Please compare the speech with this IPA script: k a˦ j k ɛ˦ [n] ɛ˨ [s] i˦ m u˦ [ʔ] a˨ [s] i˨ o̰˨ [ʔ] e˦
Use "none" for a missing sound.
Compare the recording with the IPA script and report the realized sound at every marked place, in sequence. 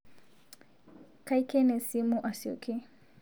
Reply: n, s, ʔ, s, k

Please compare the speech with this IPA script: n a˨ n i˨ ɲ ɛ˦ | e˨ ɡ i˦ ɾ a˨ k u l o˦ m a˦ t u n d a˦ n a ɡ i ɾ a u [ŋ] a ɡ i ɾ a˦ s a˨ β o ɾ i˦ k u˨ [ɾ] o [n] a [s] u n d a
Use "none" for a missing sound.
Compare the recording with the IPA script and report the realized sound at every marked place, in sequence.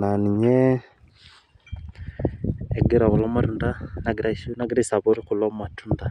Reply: n, l, m, t

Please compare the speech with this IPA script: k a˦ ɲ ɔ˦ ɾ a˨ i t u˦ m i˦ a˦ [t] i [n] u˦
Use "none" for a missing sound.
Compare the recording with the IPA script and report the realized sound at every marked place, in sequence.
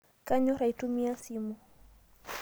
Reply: s, m

